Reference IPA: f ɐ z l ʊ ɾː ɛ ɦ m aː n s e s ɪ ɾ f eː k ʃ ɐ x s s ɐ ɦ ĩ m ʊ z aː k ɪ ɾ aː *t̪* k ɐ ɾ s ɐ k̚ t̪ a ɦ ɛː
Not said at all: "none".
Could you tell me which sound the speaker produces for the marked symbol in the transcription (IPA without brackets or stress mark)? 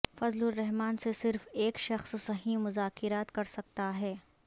t̪